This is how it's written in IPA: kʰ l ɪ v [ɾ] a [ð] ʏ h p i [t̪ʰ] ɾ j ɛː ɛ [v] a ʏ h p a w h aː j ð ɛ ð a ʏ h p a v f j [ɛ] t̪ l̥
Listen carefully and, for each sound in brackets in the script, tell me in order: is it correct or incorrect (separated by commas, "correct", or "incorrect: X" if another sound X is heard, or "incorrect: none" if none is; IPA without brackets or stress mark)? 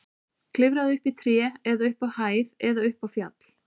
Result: correct, correct, correct, incorrect: ð, incorrect: a